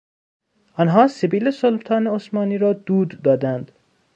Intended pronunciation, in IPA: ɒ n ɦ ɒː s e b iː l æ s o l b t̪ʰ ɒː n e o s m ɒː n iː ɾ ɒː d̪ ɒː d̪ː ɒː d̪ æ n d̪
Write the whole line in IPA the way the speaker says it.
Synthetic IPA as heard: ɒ n ɦ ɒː s e b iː l e s o l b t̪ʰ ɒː n e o s m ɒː n iː ɾ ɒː d̪ uː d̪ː ɒː d̪ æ n d̪